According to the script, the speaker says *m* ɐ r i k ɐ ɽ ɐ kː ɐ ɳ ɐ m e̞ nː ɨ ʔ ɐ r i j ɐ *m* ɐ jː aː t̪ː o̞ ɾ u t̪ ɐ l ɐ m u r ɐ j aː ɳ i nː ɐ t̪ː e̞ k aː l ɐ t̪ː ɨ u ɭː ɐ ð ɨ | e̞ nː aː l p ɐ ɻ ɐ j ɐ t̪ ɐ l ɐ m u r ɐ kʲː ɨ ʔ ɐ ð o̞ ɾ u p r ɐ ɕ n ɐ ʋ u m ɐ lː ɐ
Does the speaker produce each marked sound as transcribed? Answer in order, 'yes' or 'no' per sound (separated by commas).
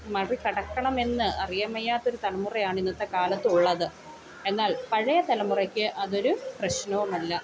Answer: yes, yes